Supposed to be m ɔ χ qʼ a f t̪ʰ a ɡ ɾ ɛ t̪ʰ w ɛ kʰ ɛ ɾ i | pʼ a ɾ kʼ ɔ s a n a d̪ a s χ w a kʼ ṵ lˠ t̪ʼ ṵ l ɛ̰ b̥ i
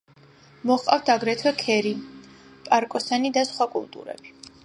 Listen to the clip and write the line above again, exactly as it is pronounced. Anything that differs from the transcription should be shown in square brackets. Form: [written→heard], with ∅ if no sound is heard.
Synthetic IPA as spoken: m ɔ χ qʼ a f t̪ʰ a ɡ ɾ ɛ t̪ʰ w ɛ kʰ ɛ ɾ i | pʼ a ɾ kʼ ɔ s a n [a→i] d̪ a s χ w a kʼ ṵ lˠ t̪ʼ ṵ [l→ɾ] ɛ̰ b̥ i